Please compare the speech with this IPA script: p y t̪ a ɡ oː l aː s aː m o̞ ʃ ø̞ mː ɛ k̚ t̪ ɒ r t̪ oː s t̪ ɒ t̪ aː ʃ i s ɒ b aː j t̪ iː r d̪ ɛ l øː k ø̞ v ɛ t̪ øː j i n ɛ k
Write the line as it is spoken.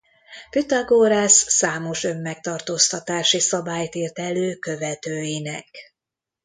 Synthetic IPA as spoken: p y t̪ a ɡ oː ɾ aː sː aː m o̞ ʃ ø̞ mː ɛ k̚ t̪ ɒ r t̪ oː s t̪ ɒ t̪ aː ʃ i s ɒ b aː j t̪ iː r t̪ ɛ l øː k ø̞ v ɛ t̪ øː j i n ɛ k

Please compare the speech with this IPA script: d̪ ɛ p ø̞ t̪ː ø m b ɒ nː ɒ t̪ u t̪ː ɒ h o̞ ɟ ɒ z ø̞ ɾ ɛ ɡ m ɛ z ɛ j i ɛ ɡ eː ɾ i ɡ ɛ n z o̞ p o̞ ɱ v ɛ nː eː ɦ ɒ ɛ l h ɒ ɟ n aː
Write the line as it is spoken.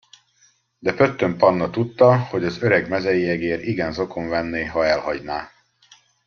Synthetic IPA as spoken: d̪ ɛ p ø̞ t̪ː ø m p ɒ nː ɒ t̪ u t̪ː ɒ h o̞ ɟ ɒ z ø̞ ɾ ɛ ɡ m ɛ z ɛ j i ɛ ɡ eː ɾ i ɡ ɛ n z o̞ k o̞ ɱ v ɛ nː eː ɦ ɒ ɛ l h ɒ ɟ n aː

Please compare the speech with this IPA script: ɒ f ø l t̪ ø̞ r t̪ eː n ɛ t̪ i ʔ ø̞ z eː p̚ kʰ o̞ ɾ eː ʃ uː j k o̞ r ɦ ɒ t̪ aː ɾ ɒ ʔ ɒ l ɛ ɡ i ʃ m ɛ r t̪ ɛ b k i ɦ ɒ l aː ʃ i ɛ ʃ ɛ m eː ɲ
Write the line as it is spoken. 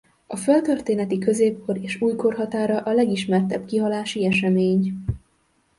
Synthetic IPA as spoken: ɒ f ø l t̪ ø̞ r t̪ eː n ɛ t̪ i k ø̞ z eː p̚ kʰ o̞ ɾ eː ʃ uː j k o̞ r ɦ ɒ t̪ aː ɾ ɒ ʔ ɒ l ɛ ɡ i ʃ m ɛ r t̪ ɛ b k i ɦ ɒ l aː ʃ i ɛ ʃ ɛ m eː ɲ

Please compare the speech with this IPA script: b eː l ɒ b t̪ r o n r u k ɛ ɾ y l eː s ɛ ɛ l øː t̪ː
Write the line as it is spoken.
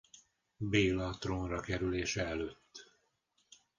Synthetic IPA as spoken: b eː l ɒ t̪ r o n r ɒ k ɛ ɾ y l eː ʃ ɛ ɛ l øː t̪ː

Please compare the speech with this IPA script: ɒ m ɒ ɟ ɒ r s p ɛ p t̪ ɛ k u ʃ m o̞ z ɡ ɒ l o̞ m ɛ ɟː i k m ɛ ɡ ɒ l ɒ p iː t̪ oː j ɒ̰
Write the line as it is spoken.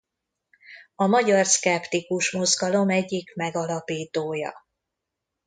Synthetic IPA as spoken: ɒ m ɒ ɟ ɒ r s k ɛ p t̪ i k u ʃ m o̞ z ɡ ɒ l o̞ m ɛ ɟː i k m ɛ ɡ ɒ l ɒ p iː t̪ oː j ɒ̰

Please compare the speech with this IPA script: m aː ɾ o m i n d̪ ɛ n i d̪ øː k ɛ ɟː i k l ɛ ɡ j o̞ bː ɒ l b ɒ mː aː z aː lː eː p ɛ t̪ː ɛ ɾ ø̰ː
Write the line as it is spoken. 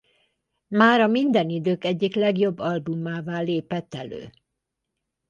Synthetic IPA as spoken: m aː ɾ ɒ m i n d̪ ɛ n i d̪ øː k ɛ ɟː i k l ɛ ɡ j o̞ bː ɒ l b u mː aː v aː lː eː p ɛ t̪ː ɛ l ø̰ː

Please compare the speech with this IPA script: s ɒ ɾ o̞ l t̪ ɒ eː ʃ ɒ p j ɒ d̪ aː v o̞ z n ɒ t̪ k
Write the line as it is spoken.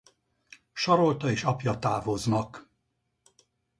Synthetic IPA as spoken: ʃ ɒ ɾ o̞ l t̪ ɒ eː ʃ ɒ p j ɒ t̪ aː v o̞ z n ɒ k

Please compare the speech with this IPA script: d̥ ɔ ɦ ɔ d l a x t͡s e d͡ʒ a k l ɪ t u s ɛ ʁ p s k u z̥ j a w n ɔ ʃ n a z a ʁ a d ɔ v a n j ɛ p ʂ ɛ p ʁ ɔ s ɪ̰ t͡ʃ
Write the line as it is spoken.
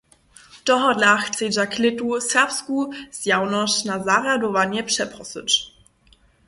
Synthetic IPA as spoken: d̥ ɔ ɦ ɔ d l a x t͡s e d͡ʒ a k l ɪ t u s ɛ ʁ p s k u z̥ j a w n ɔ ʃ n a z a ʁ a d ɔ v a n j ɛ p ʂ ɛ p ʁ ɔ s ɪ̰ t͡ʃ

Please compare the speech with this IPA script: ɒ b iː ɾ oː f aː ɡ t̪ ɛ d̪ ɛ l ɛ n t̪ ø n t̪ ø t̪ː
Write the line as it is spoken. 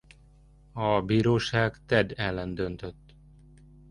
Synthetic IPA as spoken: ɒ b iː ɾ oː ʃ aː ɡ t̪ ɛ d̪ ɛ lː ɛ n d̪ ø n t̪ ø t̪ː

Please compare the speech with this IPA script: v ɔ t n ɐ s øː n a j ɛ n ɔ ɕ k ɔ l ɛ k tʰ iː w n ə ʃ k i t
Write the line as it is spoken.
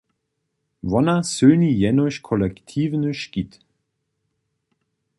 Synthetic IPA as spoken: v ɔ n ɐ s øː n i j ɛ n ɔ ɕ kʰ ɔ l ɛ k tʰ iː v n ə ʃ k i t

